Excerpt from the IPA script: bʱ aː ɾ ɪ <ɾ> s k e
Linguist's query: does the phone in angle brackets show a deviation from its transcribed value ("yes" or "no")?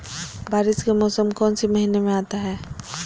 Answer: yes